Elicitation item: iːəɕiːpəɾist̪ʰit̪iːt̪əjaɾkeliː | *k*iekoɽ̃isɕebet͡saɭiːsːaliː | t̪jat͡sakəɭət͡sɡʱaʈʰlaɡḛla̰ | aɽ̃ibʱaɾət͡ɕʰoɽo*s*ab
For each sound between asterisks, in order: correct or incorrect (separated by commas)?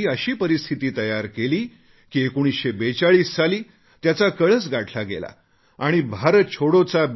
correct, incorrect